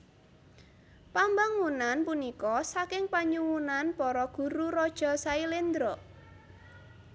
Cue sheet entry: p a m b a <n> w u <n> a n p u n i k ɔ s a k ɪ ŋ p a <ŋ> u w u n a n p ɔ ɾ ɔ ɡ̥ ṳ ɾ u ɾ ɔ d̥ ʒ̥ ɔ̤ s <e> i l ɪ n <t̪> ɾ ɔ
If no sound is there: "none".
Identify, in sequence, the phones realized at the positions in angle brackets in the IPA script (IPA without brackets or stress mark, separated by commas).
ŋ, n, ɲ, a, d̪